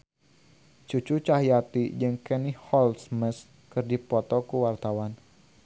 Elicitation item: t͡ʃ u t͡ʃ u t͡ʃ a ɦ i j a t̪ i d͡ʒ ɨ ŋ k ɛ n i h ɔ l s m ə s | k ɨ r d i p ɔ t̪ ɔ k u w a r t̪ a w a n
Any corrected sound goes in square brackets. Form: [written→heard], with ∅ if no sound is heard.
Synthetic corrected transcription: t͡ʃ u t͡ʃ u t͡ʃ a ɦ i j a t̪ i d͡ʒ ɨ ŋ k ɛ n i h ɔ l s m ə s | k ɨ r d i p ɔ t̪ ɔ k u w a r t̪ a w a n